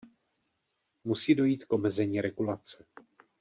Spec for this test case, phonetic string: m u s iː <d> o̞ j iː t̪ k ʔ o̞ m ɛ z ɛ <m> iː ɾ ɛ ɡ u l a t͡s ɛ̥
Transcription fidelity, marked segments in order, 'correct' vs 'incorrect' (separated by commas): correct, incorrect